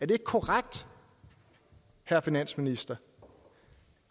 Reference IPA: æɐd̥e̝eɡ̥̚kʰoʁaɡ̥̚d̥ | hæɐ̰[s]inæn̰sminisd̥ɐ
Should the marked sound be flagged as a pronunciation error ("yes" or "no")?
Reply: yes